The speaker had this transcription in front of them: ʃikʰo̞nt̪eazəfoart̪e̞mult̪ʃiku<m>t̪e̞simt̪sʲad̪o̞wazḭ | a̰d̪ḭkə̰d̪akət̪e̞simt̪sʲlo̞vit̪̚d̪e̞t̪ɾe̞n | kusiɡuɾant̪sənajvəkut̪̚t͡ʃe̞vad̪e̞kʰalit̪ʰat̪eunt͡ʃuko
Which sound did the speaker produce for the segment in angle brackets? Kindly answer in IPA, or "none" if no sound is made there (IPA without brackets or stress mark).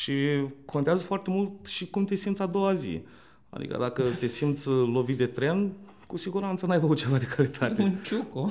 m